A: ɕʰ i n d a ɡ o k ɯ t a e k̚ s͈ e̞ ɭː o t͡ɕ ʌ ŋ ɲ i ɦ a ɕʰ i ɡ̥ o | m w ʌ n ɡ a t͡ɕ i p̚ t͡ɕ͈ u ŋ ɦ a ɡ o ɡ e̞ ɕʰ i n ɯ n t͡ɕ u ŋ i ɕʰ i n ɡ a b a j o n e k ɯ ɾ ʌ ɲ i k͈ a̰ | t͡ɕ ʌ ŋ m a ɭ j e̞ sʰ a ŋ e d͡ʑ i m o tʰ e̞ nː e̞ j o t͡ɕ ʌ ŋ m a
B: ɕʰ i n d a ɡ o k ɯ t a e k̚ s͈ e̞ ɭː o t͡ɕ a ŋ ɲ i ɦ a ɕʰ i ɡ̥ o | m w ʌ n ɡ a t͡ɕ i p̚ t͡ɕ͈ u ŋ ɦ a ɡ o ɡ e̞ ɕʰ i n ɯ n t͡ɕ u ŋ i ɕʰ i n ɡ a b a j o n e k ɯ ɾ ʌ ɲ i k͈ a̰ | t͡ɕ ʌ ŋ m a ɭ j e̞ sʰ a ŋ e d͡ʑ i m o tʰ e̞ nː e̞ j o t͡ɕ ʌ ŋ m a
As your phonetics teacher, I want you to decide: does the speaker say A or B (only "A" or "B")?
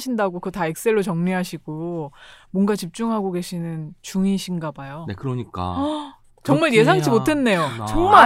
A